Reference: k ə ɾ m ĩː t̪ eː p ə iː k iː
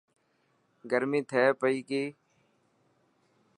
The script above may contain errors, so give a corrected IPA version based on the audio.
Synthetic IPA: ɡ ə ɾ m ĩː t̪ʰ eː p ə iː k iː